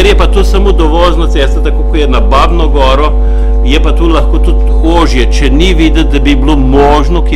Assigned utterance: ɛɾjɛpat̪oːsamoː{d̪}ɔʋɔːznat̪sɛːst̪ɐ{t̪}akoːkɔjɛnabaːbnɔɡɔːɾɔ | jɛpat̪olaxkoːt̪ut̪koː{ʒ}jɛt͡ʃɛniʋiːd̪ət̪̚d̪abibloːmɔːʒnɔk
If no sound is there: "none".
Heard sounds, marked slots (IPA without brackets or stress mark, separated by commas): d̪, t̪, ʒ